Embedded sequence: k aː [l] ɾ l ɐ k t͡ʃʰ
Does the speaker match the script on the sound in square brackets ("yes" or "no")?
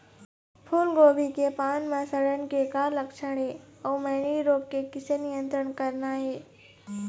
no